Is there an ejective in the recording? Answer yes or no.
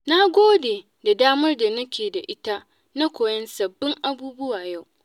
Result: no